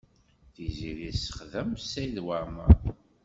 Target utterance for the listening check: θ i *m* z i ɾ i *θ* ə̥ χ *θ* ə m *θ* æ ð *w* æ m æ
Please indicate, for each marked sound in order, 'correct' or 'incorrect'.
incorrect, incorrect, incorrect, incorrect, correct

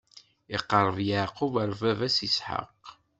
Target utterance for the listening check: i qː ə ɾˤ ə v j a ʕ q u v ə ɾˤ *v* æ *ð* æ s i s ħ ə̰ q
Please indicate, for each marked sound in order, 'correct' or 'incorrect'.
correct, incorrect

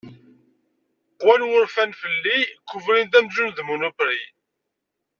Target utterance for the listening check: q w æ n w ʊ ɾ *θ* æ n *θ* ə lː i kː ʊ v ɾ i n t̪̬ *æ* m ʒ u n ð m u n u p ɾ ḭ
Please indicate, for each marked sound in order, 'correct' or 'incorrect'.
incorrect, incorrect, correct

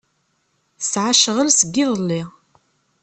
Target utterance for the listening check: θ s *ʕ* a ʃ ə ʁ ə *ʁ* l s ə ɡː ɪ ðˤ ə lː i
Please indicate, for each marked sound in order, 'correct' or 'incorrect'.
correct, incorrect

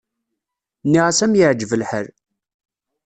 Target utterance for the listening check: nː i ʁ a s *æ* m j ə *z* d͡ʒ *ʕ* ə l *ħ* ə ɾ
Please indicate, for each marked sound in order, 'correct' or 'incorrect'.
correct, incorrect, incorrect, correct

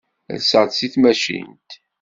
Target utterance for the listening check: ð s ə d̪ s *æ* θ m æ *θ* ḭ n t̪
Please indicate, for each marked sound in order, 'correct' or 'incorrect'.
incorrect, incorrect

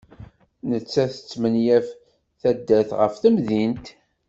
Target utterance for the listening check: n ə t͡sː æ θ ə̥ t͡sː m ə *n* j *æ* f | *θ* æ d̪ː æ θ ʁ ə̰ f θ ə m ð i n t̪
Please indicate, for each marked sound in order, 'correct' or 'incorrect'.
correct, correct, correct

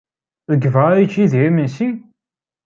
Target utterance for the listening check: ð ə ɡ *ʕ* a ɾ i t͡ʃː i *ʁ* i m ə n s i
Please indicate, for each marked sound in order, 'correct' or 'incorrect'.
incorrect, incorrect

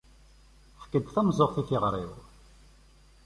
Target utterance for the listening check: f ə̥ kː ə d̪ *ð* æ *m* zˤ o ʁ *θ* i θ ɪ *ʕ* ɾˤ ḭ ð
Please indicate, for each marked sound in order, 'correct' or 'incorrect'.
incorrect, correct, correct, incorrect

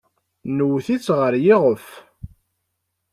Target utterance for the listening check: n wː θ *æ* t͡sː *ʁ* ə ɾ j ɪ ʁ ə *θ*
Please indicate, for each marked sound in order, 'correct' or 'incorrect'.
incorrect, correct, incorrect

